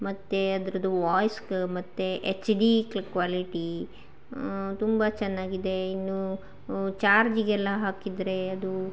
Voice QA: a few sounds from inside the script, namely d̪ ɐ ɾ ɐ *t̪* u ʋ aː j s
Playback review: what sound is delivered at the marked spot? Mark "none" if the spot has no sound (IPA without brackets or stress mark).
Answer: d̪